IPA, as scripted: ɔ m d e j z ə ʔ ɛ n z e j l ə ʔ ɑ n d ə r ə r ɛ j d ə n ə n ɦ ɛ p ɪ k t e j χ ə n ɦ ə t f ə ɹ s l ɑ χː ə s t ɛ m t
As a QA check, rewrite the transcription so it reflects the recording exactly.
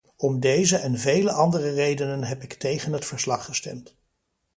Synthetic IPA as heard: ɔ m d e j z ə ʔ ɛ n v e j l ə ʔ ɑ n d ə r ə r e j d ə n ə n ɦ ɛ p ɪ k t e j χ ə n ɦ ə t f ə ɹ s l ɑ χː ə s t ɛ m t